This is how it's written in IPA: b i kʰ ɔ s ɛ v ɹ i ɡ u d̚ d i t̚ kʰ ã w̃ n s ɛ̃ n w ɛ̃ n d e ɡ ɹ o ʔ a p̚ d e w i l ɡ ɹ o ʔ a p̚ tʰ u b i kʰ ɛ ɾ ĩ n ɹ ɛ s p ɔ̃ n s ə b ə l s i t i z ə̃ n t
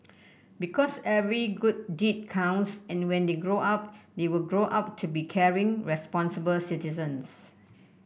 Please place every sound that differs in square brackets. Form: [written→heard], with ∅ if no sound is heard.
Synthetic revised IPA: b i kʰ ɔ s ɛ v ɹ i ɡ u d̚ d i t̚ kʰ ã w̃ n s ɛ̃ n w ɛ̃ n d e ɡ ɹ o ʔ a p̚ d e w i l ɡ ɹ o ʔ a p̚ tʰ u b i kʰ ɛ [ɾ→ɹ] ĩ [n→ŋ] ɹ ɛ s p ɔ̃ n s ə b ə l s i t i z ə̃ n [t→s]